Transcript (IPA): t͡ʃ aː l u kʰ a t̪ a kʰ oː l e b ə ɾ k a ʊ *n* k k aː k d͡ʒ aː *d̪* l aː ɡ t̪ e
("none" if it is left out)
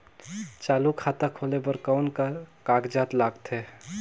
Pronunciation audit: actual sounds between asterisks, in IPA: n, t̪

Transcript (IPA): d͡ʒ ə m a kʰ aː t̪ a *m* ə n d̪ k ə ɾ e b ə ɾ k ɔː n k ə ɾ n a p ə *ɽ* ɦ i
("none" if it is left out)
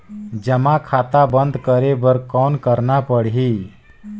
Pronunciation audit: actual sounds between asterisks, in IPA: b, ɽ

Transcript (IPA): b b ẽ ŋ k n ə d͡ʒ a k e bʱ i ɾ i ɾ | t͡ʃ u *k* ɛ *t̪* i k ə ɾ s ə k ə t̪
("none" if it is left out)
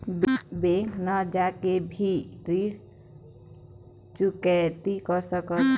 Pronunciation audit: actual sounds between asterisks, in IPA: k, t̪

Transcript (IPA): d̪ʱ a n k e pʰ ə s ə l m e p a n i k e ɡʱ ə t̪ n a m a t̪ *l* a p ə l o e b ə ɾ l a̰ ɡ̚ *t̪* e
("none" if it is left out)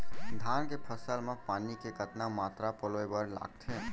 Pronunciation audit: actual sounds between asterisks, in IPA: ɾ, t̪ʰ

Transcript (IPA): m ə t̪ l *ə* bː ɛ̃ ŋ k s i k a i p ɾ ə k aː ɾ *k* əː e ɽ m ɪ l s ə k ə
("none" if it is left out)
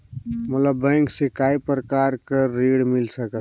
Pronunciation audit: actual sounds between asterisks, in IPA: ə, k

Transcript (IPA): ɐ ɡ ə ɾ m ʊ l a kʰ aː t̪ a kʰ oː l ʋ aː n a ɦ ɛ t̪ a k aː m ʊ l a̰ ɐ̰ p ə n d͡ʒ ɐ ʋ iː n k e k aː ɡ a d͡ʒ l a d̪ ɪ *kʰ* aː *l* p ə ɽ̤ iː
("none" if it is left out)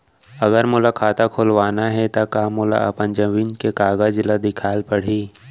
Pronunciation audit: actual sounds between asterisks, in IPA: kʰ, l

